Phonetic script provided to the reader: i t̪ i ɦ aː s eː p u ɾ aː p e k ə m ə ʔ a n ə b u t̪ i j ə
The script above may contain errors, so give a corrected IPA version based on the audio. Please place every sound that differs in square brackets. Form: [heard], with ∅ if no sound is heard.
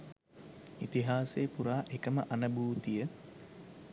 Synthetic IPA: i t̪ i ɦ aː s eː p u ɾ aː [ʔ] e k ə m ə ʔ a n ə b [uː] t̪ i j ə